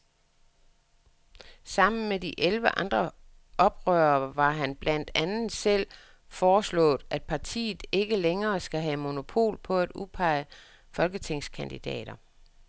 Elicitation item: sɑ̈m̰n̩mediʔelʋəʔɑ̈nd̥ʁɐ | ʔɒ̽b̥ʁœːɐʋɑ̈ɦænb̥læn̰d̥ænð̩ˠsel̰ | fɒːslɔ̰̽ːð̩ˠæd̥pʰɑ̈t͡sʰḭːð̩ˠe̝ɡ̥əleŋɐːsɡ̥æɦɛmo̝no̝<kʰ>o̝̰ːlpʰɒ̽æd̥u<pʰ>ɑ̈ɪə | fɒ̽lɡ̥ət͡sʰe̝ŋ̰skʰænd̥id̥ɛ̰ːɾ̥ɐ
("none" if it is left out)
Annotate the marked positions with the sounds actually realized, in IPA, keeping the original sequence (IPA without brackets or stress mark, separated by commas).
pʰ, pʰ